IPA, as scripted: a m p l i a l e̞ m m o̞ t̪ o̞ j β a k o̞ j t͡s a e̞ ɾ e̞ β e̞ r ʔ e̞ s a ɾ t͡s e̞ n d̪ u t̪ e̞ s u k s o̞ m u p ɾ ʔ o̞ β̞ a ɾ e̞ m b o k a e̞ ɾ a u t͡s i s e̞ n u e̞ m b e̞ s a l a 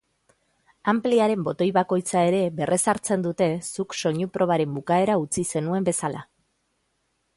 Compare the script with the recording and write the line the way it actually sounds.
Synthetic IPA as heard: a m p l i a ɾ e̞ m b o̞ t̪ o̞ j β a k o̞ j t͡s a e̞ ɾ e̞ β e̞ r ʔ e̞ s a ɾ t͡s e̞ n d̪ u t̪ e̞ s u k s o̞ ɲ u p ɾ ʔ o̞ β̞ a ɾ e̞ m b u k a e̞ ɾ a u t͡s i s e̞ n u e̞ m b e̞ s a l a